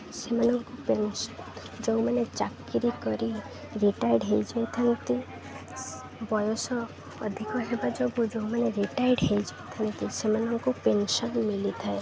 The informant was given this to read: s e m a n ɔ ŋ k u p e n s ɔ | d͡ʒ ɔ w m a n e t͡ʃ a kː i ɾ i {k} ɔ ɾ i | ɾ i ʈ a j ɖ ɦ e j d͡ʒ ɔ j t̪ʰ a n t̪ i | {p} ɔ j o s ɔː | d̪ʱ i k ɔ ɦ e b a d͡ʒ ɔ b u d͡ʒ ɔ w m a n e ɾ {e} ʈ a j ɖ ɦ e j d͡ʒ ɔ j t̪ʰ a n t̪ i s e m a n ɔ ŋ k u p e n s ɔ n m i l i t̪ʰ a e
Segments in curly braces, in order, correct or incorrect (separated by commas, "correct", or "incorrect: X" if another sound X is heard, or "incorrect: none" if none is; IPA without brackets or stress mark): correct, incorrect: b, incorrect: i